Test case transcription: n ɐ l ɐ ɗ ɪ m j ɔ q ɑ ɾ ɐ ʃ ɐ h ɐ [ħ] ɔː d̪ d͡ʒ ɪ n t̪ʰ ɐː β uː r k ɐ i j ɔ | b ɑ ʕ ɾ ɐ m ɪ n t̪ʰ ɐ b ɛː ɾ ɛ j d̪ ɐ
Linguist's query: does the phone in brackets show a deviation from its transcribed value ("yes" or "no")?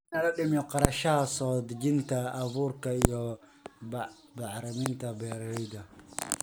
yes